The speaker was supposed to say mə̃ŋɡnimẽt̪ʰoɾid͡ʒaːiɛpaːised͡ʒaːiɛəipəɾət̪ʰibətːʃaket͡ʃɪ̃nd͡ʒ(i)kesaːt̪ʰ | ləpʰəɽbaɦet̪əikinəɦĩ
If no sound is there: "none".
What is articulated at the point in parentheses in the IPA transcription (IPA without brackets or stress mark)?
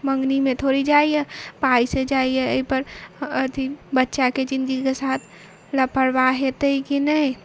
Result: i